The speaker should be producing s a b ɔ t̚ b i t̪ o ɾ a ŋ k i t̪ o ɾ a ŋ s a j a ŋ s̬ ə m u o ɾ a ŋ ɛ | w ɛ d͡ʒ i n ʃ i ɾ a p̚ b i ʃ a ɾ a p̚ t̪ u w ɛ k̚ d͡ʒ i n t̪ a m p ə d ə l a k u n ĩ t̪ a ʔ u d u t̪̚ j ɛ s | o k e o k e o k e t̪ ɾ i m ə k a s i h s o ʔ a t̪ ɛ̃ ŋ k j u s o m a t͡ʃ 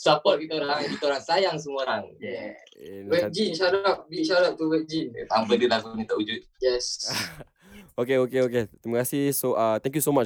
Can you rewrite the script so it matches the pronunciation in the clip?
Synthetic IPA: s a p ɔ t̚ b i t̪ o ɾ a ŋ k i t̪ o ɾ a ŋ s a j a ŋ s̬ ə m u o ɾ a ŋ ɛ | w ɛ d͡ʒ i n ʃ a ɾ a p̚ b i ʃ a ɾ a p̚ t̪ u w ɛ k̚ d͡ʒ i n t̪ a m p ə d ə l a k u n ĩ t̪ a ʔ u d͡ʒ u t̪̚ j ɛ s | o k e o k e o k e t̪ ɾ i m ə k a s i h s o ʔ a t̪ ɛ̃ ŋ k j u s o m a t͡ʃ